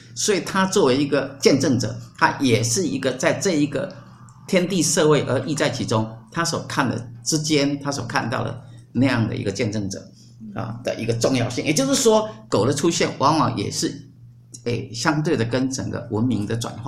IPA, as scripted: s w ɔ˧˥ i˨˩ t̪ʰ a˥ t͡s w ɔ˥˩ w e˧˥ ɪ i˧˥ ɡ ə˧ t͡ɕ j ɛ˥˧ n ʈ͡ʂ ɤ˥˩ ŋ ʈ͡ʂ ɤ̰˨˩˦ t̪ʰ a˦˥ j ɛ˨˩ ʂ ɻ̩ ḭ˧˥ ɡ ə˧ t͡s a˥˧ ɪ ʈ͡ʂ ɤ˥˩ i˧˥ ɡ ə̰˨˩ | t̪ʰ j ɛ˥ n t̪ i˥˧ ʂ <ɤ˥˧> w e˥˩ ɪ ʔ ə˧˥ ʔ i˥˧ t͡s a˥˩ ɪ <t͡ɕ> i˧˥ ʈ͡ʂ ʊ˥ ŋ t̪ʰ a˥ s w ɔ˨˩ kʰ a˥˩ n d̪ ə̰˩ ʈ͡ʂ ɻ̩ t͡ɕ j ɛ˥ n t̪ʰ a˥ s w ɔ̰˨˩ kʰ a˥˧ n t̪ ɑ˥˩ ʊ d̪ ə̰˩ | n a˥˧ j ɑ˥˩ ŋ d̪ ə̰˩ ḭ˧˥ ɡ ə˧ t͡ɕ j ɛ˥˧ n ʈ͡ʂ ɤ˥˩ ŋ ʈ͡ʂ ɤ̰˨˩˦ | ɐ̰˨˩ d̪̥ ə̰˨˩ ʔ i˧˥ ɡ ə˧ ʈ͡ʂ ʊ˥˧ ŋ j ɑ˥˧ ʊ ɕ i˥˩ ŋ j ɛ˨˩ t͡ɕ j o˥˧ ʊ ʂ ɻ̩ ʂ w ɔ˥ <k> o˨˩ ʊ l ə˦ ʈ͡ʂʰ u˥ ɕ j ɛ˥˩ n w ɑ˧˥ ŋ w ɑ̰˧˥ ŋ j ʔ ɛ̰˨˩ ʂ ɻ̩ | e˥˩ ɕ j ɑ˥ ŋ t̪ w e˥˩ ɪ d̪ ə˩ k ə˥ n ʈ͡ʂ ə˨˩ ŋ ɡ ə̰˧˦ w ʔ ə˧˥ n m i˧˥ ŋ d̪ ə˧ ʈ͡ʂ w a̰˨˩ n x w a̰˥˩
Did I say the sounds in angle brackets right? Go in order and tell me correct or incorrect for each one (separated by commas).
correct, incorrect, correct